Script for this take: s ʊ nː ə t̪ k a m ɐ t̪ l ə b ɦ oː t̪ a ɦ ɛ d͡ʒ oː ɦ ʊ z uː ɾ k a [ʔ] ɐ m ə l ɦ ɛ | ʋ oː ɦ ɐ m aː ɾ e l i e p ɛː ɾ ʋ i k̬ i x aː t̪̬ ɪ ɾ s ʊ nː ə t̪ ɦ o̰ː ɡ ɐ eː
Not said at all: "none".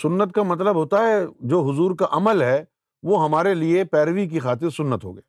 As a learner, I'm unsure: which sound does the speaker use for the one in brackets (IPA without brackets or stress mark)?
ʔ